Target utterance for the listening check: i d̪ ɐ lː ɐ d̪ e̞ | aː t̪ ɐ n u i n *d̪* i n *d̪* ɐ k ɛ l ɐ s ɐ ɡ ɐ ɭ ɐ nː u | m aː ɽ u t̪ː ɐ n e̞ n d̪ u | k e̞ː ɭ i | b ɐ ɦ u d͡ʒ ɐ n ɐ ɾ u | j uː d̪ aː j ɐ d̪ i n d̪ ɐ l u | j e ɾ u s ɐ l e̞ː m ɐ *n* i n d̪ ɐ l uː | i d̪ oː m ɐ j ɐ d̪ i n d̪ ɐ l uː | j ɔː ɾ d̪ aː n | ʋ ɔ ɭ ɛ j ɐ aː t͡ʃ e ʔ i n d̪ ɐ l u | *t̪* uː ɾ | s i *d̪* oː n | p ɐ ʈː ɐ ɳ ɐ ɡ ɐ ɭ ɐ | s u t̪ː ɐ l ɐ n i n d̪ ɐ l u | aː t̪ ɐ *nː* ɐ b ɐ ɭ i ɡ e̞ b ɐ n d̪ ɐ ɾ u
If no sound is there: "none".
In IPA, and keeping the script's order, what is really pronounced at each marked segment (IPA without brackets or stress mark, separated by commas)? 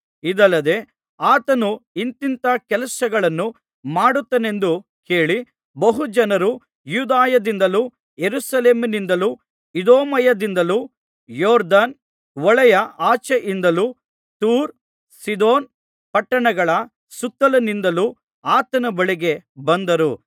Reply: t̪, t̪, n, t̪, d̪, n